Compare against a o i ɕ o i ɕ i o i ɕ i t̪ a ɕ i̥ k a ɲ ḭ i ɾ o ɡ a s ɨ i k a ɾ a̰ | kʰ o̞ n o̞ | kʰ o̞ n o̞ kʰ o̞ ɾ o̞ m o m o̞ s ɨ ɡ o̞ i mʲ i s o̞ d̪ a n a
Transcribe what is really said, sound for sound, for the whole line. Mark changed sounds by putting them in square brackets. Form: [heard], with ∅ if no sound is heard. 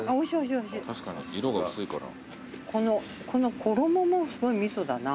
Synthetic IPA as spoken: a o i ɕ o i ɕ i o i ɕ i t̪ a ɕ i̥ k a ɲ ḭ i ɾ o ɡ a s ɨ i k a ɾ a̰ | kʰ o̞ n o̞ | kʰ o̞ n o̞ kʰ o̞ ɾ o̞ m o m o̞ s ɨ ɡ o̞ i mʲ i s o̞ d̪ a n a